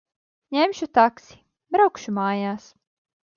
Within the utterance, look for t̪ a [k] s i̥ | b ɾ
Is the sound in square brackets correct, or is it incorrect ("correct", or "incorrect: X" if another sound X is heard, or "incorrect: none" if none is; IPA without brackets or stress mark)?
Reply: correct